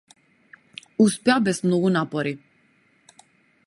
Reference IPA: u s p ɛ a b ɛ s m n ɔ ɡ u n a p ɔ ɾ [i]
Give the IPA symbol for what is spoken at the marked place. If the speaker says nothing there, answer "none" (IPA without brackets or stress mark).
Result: i